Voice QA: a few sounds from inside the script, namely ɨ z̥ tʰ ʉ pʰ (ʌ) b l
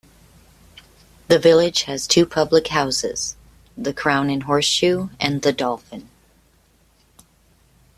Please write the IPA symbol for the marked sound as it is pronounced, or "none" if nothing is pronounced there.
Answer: ʌ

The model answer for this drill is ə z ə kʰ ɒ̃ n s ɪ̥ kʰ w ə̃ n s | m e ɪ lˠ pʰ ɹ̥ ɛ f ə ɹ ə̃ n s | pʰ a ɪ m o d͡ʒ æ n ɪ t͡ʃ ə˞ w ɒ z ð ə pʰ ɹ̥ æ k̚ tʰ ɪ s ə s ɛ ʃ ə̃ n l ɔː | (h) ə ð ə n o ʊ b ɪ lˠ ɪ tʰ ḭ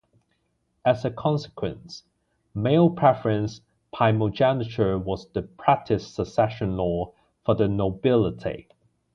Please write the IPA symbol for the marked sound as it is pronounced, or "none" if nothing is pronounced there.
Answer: f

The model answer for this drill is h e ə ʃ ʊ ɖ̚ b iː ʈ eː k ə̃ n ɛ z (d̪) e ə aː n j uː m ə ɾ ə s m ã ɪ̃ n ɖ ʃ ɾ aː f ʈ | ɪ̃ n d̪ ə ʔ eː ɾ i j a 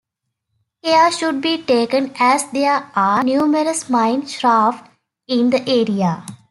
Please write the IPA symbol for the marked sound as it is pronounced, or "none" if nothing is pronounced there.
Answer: d̪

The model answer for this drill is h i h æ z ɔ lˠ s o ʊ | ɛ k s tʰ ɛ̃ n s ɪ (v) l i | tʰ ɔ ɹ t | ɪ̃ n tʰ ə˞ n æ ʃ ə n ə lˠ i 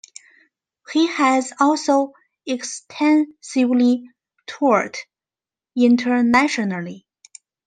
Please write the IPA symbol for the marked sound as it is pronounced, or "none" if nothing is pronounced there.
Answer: v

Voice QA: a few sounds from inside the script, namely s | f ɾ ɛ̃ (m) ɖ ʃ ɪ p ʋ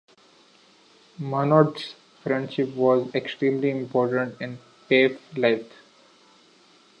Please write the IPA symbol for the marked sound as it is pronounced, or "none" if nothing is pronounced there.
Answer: ɳ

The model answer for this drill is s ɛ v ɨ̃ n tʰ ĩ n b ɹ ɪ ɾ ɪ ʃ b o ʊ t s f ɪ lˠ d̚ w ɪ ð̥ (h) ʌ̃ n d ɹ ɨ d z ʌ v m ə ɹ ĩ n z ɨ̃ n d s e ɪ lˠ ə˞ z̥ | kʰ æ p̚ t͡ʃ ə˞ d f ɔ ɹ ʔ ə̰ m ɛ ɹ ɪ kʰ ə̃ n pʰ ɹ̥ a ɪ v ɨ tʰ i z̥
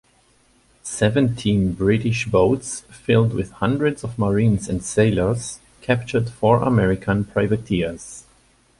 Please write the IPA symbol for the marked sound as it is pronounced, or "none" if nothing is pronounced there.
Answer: h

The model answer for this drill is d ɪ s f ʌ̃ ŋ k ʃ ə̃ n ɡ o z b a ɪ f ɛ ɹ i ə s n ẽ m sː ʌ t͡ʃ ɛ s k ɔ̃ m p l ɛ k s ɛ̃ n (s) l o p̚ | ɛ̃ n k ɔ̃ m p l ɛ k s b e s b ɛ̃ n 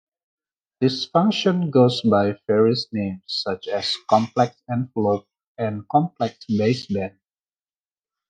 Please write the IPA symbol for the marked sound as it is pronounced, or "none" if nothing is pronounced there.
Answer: f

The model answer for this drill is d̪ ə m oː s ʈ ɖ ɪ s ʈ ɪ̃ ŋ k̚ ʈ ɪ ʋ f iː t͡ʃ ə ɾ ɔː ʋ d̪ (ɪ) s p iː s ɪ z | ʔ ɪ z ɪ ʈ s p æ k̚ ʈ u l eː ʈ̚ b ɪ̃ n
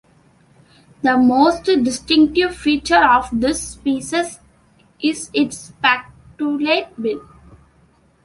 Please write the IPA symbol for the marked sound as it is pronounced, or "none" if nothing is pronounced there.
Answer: ɪ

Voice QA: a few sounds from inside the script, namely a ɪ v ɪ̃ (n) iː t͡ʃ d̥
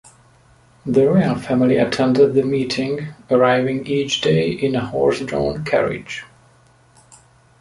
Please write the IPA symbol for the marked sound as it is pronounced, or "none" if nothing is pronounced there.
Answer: ŋ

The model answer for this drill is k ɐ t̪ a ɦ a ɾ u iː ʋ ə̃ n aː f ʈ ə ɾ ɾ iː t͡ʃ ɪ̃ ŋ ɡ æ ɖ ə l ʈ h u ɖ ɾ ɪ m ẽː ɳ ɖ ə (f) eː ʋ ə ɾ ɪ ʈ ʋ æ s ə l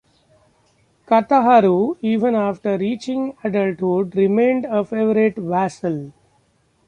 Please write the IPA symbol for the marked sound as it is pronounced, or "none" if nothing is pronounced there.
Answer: f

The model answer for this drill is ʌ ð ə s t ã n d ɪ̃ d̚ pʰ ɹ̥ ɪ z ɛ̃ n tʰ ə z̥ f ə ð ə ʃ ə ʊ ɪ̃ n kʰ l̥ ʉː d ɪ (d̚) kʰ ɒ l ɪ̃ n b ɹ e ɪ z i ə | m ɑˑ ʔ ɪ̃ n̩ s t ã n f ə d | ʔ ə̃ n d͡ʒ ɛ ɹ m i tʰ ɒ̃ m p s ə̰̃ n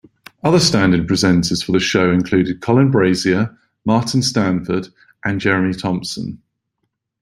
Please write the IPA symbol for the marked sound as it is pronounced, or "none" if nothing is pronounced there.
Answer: d̚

